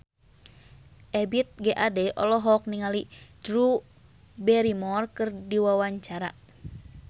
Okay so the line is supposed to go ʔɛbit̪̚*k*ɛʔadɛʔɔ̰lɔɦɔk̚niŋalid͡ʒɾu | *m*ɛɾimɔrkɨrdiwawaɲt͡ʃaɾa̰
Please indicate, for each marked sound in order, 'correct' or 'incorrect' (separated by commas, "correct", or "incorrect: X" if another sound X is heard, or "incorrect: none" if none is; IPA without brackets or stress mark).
incorrect: ɡ, incorrect: b